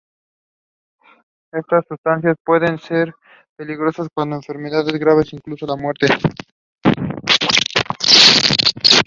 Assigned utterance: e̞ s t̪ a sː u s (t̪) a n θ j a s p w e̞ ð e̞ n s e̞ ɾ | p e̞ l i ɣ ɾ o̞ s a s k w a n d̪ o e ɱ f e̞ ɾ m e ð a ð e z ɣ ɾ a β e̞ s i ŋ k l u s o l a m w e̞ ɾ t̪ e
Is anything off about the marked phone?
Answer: no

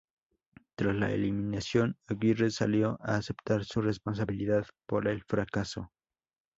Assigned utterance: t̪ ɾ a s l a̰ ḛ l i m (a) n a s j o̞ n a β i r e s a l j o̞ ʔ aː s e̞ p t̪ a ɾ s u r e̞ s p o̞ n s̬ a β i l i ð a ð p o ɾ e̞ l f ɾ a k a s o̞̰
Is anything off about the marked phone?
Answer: yes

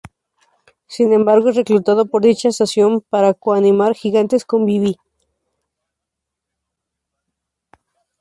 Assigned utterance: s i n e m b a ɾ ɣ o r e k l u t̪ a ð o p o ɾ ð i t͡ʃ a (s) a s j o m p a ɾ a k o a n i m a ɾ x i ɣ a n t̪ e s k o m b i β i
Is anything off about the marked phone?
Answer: no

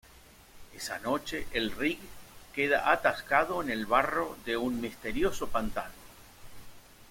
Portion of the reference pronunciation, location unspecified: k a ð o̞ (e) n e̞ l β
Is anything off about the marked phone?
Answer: no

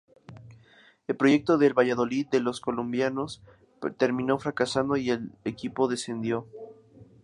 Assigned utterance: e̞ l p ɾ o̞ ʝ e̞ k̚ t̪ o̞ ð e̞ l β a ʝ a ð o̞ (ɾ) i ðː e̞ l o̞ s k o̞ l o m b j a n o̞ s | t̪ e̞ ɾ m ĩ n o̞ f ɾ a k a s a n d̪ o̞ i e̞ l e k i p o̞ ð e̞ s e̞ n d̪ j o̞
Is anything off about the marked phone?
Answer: yes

